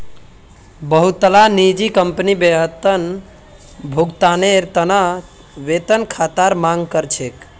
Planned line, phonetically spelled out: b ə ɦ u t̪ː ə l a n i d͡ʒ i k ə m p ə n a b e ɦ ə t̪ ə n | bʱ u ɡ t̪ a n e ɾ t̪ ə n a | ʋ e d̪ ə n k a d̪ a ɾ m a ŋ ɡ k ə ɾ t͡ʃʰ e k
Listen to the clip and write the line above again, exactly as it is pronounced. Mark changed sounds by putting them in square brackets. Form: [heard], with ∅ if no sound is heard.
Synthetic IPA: b ə ɦ u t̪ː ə l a n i d͡ʒ i k ə m p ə n [i] b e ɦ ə t̪ ə n | bʱ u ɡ t̪ a n e ɾ t̪ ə n a | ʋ e [t̪] ə n [kʰ] a [t̪] a ɾ m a ŋ ɡ k ə ɾ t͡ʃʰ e k